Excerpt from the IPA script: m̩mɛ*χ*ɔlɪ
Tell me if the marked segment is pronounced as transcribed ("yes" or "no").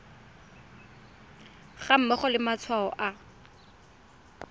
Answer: yes